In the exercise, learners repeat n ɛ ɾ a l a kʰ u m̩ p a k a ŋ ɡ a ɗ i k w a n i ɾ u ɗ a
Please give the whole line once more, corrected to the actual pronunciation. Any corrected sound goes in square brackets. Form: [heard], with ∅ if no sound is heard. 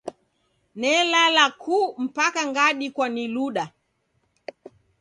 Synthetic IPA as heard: n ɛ [l] a l a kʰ u m̩ p a k a ŋ ɡ a ɗ i k w a n i [l] u ɗ a